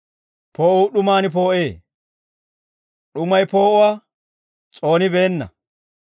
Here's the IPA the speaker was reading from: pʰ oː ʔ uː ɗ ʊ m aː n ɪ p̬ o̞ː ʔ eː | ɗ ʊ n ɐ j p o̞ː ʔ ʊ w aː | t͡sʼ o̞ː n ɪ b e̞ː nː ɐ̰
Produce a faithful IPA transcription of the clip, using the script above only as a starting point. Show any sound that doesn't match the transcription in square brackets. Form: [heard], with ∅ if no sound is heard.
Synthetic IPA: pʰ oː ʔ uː ɗ ʊ m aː n ɪ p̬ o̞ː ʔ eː | ɗ ʊ [m] ɐ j p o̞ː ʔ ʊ w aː | t͡sʼ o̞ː n ɪ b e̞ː nː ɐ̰